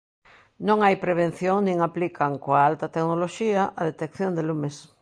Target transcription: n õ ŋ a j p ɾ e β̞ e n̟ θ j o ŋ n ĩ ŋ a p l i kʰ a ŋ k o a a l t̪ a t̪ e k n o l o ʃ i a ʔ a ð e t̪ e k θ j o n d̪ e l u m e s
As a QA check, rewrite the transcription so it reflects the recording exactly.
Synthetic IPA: n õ ŋ a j p ɾ e β̞ e n̟ θ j o ŋ n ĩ ŋ a p l i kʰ a ŋ k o a a l t̪ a t̪ e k n o l o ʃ i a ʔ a ð e t̪ e k θ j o n d̪ e l u m e s